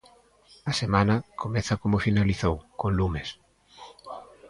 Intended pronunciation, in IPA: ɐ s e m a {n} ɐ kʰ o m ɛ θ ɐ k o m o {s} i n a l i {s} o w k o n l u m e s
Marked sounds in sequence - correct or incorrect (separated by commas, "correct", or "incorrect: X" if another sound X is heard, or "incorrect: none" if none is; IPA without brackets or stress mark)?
correct, incorrect: f, incorrect: θ